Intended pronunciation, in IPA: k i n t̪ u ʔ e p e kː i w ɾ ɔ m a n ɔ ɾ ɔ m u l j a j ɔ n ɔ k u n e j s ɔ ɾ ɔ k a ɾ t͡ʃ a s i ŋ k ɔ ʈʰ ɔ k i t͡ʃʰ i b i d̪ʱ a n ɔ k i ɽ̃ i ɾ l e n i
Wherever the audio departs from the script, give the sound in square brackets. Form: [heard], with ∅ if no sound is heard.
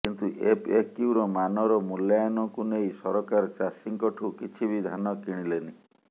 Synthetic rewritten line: k i n t̪ u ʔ e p e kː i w ɾ ɔ m a n ɔ ɾ ɔ m u l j a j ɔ n ɔ k u n e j s ɔ ɾ ɔ k a ɾ t͡ʃ a s i ŋ k ɔ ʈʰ [u] k i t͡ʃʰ i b i d̪ʱ a n ɔ k i ɽ̃ i [∅] l e n i